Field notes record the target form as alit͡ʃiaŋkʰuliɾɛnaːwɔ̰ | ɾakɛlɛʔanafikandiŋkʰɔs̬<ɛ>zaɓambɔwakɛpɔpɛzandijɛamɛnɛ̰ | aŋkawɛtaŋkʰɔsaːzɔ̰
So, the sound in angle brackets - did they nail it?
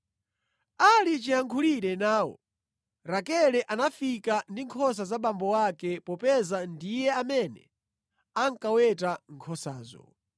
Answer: no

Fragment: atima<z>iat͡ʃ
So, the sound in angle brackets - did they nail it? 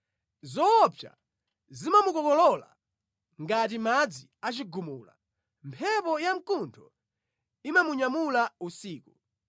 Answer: no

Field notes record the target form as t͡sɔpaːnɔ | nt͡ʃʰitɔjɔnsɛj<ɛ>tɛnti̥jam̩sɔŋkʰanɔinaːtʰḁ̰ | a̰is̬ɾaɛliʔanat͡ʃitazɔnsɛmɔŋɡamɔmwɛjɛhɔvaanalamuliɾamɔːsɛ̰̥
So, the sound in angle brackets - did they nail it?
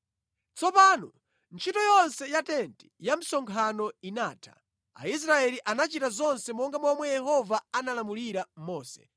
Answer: no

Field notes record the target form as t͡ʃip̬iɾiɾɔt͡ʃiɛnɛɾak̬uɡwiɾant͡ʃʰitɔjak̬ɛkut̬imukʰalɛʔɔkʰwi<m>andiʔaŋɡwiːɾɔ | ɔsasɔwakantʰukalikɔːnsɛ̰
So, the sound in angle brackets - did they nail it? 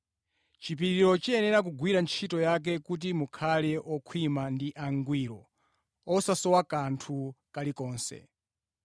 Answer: yes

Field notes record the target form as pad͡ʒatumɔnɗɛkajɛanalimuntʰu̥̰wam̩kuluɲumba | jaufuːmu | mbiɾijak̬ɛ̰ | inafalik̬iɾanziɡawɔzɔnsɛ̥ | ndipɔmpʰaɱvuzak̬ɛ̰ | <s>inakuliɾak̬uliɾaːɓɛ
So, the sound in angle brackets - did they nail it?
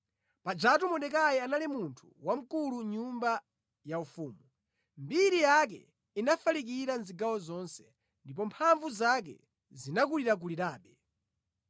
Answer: no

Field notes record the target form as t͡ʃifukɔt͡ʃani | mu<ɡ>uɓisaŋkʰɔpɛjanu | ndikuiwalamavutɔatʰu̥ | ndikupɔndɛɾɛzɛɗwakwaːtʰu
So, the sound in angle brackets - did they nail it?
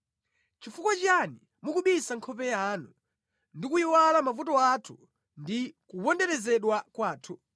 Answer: no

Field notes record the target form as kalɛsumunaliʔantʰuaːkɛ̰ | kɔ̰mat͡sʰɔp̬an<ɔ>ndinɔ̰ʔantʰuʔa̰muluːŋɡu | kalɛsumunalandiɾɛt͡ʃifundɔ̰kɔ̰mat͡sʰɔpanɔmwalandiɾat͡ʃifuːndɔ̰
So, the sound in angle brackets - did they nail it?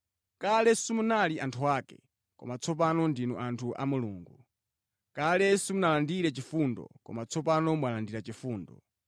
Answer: yes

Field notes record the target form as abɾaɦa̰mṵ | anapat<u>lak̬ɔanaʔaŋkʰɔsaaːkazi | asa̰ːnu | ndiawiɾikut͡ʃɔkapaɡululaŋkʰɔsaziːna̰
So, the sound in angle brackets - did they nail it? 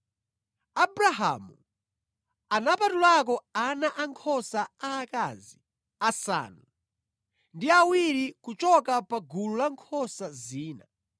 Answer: yes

